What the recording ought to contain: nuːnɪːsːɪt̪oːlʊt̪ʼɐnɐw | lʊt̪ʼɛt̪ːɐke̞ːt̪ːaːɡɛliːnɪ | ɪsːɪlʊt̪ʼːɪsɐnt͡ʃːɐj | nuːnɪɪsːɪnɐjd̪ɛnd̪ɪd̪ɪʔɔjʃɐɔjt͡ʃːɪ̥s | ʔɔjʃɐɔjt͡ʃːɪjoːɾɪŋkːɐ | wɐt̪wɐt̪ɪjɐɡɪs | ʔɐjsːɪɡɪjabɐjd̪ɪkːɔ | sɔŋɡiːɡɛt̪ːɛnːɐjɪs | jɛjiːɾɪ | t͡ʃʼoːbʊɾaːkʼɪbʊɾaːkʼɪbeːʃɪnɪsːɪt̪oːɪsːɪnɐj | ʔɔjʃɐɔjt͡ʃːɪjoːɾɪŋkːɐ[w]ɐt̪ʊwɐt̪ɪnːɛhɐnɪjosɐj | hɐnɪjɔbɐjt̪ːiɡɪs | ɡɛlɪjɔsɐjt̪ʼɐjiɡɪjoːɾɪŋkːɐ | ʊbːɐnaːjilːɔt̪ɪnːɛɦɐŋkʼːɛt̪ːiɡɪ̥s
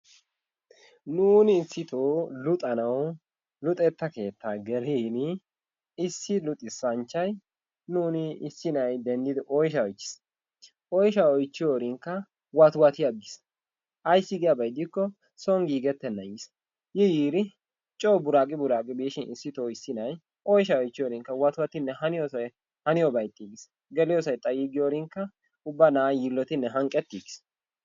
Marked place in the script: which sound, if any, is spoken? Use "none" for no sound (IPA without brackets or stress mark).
w